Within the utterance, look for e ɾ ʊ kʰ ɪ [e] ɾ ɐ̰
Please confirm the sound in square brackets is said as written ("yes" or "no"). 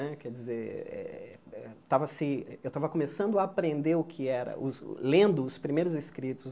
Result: no